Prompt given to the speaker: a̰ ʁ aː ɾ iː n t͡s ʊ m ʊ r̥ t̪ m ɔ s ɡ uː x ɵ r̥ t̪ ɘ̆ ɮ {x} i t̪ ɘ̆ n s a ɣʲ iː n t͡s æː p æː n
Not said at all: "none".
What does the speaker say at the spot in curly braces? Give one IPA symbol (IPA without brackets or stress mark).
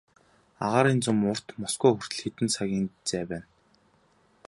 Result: x